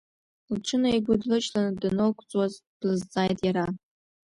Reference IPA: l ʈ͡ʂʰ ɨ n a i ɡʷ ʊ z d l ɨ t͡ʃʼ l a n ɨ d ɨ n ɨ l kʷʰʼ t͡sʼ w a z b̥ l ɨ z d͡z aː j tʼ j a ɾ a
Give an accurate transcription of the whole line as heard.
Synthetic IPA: l ʈ͡ʂʰ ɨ n a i ɡʷ ʊ d l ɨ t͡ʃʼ l a n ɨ d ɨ n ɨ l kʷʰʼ t͡sʼ w a z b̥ l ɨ z d͡z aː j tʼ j a ɾ a